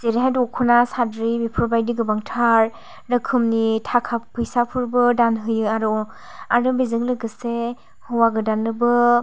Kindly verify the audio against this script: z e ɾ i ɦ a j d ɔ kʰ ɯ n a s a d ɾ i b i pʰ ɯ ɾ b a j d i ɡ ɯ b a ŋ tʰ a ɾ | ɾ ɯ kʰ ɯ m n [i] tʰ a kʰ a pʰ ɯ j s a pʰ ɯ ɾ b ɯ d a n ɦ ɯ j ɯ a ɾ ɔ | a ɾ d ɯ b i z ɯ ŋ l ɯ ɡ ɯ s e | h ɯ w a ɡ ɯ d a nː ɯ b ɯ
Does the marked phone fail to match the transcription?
no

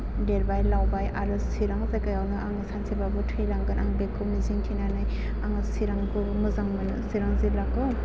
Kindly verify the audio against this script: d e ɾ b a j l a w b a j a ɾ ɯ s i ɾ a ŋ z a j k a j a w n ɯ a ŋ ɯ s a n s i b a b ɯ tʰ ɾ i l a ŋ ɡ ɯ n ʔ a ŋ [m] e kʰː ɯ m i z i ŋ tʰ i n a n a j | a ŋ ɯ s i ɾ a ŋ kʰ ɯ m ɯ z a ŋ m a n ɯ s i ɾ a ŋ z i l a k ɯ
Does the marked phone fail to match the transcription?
yes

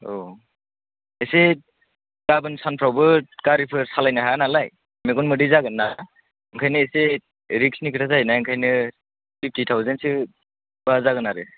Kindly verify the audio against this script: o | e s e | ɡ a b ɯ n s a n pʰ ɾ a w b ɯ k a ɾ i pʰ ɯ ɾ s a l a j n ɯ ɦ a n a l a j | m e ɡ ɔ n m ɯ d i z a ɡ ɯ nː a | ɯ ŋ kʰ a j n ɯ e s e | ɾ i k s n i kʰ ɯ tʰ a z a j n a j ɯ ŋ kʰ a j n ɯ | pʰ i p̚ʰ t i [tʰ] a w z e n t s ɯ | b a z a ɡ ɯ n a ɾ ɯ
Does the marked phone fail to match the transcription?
no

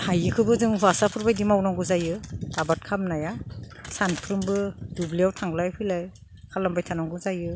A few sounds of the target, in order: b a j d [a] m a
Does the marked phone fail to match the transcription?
yes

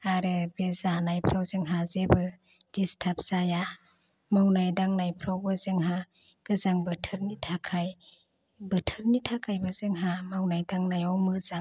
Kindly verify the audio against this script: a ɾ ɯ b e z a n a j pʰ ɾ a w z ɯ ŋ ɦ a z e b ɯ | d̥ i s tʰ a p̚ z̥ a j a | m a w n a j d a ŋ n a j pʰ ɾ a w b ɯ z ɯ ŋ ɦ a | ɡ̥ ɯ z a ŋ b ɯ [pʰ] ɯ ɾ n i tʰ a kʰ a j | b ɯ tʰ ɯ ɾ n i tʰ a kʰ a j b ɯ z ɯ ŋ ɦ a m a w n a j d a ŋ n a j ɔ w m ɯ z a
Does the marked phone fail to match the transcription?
yes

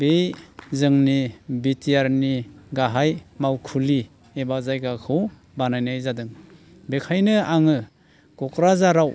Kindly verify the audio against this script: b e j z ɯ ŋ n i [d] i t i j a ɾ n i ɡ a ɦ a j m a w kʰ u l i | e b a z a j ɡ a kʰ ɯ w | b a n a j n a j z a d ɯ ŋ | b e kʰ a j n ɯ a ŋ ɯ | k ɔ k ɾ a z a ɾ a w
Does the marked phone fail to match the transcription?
yes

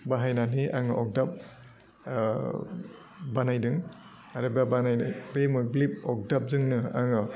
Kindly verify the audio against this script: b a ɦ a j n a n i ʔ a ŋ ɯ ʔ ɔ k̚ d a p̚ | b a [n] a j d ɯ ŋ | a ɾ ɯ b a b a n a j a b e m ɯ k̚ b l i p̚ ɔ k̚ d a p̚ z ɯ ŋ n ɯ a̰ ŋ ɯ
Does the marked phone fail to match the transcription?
no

